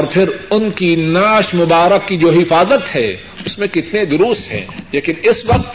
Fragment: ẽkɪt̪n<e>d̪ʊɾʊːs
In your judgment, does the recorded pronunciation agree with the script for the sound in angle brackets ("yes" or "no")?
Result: yes